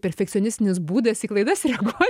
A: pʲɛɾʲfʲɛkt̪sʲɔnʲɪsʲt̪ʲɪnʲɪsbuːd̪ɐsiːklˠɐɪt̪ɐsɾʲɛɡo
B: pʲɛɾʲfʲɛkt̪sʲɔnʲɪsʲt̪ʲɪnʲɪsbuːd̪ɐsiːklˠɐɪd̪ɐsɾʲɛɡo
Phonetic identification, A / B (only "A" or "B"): B